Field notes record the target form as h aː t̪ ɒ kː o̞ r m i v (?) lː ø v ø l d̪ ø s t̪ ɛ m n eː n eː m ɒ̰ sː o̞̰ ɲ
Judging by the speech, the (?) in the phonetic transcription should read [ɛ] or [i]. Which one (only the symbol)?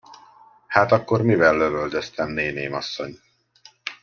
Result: ɛ